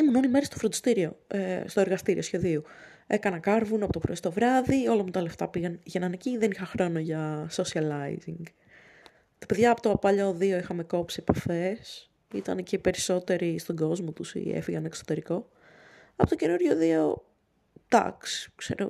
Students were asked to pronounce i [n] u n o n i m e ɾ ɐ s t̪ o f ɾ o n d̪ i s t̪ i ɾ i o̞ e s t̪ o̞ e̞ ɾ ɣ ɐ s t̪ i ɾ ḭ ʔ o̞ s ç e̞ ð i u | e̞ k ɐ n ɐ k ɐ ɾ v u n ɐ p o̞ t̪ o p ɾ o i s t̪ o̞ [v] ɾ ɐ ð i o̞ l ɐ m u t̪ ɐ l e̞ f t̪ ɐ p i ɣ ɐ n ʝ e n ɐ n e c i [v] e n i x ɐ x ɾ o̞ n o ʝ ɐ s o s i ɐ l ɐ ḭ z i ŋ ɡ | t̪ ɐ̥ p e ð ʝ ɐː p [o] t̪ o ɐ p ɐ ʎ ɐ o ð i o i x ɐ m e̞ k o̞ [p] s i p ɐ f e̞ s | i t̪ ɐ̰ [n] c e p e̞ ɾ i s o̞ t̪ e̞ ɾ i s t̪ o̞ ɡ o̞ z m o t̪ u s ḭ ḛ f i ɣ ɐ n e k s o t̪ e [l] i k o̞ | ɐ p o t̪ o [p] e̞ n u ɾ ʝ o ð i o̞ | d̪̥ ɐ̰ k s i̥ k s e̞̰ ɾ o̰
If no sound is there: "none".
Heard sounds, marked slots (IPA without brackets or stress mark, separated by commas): m, v, ð, o, p, n, ɾ, c